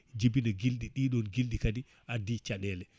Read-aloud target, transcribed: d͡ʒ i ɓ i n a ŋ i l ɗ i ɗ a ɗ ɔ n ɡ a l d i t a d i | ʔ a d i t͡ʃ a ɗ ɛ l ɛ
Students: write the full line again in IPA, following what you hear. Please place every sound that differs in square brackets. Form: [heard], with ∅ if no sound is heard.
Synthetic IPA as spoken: d͡ʒ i [b] i n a [ɡ] i l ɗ i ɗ [i] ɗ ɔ n ɡ [i] l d i [k] a d i | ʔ a d i t͡ʃ a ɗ ɛ l ɛ

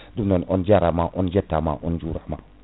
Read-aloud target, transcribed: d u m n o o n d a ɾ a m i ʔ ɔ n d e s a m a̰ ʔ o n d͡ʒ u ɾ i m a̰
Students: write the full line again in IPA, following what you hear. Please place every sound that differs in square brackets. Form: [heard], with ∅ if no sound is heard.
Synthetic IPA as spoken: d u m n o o n [d͡ʒ] a ɾ a m [a] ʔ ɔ n [d͡ʒ] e [t] a m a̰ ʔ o n d͡ʒ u ɾ [a] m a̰

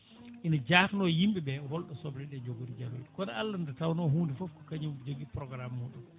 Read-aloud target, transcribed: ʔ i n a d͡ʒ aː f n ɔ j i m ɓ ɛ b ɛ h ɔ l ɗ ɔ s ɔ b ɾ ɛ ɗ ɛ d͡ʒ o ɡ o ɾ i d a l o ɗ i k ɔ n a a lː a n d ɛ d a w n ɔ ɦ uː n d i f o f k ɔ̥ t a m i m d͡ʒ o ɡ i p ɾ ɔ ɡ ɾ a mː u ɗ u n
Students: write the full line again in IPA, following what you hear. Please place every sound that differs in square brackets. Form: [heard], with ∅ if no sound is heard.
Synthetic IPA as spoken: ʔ i n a d͡ʒ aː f n ɔ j i m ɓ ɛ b ɛ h ɔ l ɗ ɔ s ɔ b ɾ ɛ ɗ ɛ d͡ʒ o ɡ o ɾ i [d͡ʒ] a l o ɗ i k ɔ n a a lː a n d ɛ [t] a w n ɔ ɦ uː n d i f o f k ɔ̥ [k] a [ɲ] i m d͡ʒ o ɡ i p ɾ ɔ ɡ ɾ a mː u ɗ u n

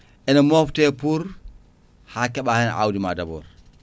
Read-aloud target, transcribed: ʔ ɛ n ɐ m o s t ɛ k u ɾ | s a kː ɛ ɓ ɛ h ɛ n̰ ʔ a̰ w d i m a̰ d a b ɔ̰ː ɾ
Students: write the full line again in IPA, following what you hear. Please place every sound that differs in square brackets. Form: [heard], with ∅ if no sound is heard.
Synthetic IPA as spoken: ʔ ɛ n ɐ m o [f] t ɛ [p] u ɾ | [h] a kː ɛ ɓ [a] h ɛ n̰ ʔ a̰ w d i m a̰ d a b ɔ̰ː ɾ

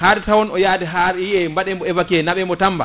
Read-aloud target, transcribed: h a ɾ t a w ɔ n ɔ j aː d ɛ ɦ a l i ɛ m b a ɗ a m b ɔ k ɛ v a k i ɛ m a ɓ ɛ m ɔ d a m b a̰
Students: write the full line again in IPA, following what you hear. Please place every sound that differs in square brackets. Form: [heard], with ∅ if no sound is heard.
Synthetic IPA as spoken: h a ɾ t a w ɔ n ɔ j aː d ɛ ɦ a [ɾ] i ɛ m b a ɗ [ɛ] m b ɔ [∅] ɛ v a k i ɛ [n] a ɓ ɛ m ɔ [t] a m b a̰

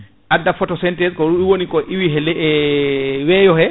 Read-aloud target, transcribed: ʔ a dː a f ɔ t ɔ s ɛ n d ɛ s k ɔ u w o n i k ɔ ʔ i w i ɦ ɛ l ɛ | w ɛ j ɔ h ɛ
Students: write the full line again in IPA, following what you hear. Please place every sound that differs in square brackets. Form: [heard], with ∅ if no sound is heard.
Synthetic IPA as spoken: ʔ a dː a f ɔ t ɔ s ɛ n [t] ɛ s k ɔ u w o n i k ɔ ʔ i w i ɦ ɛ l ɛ | w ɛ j ɔ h ɛ

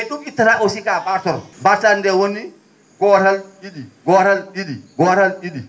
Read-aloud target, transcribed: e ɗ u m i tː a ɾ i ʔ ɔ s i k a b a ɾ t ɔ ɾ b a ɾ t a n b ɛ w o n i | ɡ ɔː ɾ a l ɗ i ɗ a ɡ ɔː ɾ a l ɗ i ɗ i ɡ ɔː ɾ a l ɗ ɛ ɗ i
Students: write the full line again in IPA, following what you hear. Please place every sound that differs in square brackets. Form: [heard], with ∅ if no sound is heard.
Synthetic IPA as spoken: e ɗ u m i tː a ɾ [a] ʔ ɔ s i k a b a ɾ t ɔ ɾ b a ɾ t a n [d] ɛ w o n i | ɡ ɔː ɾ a l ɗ i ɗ [i] ɡ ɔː ɾ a l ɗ i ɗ i ɡ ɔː ɾ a l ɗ [i] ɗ i

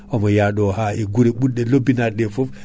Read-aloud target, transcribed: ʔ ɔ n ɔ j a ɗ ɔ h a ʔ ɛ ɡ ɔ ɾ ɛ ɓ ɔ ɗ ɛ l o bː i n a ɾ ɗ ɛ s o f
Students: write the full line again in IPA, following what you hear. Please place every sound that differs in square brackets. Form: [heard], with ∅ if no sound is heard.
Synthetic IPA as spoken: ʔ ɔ [m] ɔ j a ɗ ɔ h a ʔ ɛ ɡ [u] ɾ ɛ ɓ [u] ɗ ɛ l o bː i n a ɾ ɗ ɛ [f] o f

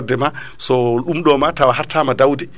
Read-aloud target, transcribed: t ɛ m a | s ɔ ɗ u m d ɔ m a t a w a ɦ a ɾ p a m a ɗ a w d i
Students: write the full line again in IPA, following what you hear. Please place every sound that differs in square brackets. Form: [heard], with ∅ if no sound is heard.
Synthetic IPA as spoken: [d] ɛ m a | s ɔ ɗ u m [ɗ] ɔ m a t a w a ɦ a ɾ [t] a m a [d] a w d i

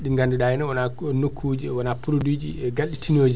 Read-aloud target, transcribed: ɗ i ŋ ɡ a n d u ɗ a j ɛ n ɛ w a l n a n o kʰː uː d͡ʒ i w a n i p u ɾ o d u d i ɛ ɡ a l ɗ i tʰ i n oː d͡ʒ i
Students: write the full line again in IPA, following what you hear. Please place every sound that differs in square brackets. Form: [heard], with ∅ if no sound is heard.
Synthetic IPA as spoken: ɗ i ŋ ɡ a n d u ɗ a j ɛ n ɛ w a [∅] n a n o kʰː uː d͡ʒ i w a n [a] p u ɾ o d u [d͡ʒ] i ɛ ɡ a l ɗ i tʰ i n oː d͡ʒ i

